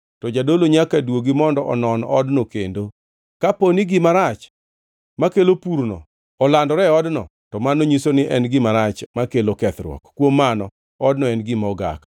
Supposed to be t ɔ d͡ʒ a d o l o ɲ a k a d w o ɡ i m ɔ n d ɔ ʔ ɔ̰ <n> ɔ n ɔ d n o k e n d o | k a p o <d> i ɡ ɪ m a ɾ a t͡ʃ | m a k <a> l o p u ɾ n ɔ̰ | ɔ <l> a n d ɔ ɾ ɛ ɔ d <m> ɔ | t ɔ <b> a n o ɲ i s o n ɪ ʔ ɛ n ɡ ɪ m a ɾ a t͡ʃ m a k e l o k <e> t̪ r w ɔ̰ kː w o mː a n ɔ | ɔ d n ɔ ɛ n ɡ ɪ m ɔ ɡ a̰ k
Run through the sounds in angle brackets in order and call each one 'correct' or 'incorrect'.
correct, incorrect: n, incorrect: e, correct, incorrect: n, incorrect: m, incorrect: ɛ

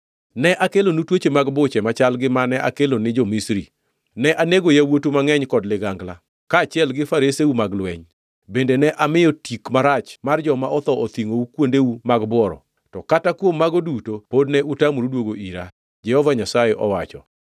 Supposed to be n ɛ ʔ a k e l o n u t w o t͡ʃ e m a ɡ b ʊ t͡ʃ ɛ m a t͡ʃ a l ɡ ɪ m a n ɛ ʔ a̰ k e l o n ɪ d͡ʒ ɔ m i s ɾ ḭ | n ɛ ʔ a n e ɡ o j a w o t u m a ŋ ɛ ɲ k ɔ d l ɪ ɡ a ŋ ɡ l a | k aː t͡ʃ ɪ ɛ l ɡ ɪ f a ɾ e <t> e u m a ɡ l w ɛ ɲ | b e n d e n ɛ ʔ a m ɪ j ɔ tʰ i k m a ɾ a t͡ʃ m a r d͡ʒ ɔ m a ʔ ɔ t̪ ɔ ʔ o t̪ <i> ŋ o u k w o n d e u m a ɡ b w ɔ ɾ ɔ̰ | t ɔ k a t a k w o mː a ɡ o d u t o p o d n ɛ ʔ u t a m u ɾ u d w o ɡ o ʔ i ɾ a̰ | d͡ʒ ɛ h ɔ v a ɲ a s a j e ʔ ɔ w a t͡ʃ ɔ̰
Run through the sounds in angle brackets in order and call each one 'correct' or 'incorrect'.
incorrect: s, correct

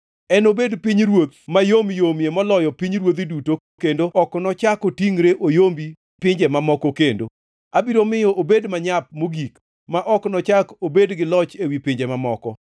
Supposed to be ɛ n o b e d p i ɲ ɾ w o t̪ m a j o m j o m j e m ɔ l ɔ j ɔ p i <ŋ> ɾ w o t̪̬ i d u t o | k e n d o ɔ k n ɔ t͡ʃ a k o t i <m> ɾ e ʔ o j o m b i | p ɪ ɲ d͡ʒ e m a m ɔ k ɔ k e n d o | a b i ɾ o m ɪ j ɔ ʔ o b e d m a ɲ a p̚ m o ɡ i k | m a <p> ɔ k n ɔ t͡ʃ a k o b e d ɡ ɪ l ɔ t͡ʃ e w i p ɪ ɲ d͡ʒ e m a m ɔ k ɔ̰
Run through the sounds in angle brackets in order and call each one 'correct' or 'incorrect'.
incorrect: ɲ, incorrect: ŋ, incorrect: ʔ

